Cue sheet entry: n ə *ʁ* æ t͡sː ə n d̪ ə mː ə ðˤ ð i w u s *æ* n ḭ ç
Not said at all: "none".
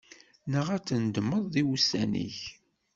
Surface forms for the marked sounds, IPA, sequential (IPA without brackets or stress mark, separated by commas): ʁ, æ